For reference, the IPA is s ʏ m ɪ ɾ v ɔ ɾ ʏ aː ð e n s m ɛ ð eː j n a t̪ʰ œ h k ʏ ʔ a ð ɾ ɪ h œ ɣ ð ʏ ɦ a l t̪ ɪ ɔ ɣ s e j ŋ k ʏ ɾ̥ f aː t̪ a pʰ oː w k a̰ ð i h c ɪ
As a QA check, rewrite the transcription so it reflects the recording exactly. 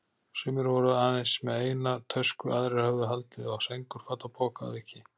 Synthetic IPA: s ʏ m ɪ ɾ v ɔ ɾ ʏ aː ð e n s m ɛ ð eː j n a t̪ʰ œ s k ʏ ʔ a ð ɾ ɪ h œ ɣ ð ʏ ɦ a l t̪ ɪ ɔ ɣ s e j ŋ k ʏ ɾ̥ f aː t̪ a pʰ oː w k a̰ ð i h c ɪ